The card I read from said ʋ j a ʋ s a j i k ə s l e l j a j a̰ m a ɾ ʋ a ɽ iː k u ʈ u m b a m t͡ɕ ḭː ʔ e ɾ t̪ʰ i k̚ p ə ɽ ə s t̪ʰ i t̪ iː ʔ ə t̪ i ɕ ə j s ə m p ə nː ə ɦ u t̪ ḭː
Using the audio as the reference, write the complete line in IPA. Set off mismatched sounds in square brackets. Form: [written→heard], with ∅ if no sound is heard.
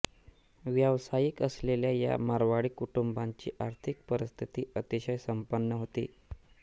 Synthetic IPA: ʋ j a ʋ s a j i k ə s l e l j a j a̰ m a ɾ ʋ a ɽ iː k u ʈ u m b a [m→ɲ] t͡ɕ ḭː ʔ [e→a] ɾ t̪ʰ i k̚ p ə [ɽ→ɾ] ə s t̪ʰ i t̪ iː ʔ ə t̪ i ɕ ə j s ə m p ə nː ə ɦ [u→o] t̪ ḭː